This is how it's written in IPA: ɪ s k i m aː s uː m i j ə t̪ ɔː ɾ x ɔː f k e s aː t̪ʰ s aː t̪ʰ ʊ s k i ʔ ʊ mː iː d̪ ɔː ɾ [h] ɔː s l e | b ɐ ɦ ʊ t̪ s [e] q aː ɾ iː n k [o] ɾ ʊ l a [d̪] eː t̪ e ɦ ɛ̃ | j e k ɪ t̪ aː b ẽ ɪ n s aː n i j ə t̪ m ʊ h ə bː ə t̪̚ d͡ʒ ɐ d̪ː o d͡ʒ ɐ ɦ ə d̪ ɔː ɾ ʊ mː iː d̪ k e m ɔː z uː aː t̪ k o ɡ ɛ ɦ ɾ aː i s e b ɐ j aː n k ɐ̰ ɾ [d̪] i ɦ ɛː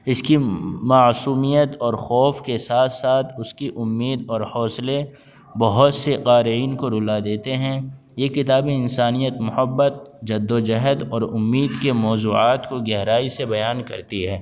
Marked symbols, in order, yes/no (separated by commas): yes, yes, yes, yes, no